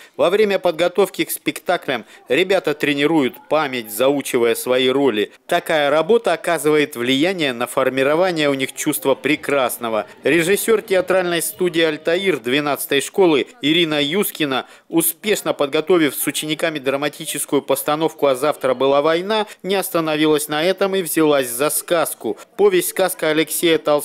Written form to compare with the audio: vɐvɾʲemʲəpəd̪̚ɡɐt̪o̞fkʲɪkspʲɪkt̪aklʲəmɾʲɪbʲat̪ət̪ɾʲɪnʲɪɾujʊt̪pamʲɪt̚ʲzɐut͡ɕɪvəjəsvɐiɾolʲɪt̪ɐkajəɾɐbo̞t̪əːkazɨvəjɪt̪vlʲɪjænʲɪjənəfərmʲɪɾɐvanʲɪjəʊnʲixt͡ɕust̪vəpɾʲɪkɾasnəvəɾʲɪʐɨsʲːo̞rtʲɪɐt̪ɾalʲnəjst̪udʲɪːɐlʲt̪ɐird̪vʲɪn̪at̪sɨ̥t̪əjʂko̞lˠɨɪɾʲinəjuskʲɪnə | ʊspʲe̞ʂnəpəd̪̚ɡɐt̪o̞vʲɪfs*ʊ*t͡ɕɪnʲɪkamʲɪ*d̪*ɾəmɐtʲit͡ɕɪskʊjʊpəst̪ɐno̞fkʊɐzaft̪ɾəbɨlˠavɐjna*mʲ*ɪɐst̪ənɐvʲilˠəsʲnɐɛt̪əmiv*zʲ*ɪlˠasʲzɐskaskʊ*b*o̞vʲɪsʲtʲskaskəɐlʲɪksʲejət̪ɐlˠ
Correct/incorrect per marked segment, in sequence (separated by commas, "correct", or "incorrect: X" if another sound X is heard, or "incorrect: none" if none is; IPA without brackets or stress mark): correct, correct, incorrect: nʲ, correct, incorrect: p